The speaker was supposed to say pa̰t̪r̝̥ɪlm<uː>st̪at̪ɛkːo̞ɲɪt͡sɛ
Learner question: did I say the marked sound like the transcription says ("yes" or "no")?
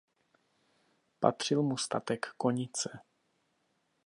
no